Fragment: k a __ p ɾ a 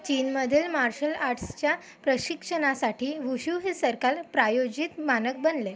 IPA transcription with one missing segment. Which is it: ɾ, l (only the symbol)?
l